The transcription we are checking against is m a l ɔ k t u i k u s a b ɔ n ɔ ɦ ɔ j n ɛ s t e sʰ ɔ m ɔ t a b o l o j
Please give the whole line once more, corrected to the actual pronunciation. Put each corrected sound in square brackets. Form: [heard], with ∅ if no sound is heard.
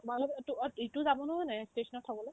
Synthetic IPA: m a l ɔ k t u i [t] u [z] a b ɔ n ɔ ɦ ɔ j n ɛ s t e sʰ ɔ [n] ɔ [tʰ] a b [ɔ] l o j